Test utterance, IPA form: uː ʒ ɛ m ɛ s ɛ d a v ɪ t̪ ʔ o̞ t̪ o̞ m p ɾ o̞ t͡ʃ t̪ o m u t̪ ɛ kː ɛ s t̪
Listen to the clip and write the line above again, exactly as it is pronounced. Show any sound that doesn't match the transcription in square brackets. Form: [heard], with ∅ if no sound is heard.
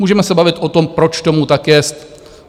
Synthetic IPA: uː ʒ ɛ m ɛ s ɛ [b] a v ɪ t̪ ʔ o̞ t̪ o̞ m p ɾ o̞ t͡ʃ t̪ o m u t̪ [a] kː ɛ s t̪